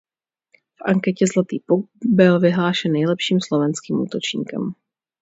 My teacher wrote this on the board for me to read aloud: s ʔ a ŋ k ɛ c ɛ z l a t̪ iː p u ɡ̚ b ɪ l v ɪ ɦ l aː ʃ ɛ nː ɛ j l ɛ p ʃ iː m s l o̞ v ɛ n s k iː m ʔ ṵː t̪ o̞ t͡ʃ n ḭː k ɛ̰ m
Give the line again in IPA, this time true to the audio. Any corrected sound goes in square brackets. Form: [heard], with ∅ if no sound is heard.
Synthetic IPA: [f] ʔ a ŋ k ɛ c ɛ z l a t̪ iː p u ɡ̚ b ɪ l v ɪ ɦ l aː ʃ ɛ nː ɛ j l ɛ p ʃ iː m s l o̞ v ɛ n s k iː m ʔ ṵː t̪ o̞ t͡ʃ [ɲ] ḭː k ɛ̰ m